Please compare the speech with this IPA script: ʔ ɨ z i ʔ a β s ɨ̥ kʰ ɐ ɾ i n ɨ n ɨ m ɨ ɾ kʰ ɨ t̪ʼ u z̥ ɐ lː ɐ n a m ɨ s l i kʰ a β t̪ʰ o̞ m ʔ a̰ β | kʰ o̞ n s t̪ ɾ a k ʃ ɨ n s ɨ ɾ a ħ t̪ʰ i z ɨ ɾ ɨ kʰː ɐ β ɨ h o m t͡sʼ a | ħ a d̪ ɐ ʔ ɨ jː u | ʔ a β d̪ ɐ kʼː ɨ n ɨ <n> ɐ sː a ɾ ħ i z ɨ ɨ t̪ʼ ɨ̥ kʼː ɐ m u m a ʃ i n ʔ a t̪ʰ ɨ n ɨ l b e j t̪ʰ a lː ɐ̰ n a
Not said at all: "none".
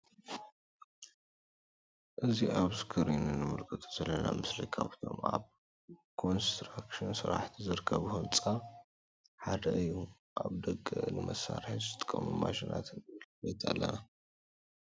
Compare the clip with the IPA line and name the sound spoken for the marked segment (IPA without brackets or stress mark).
m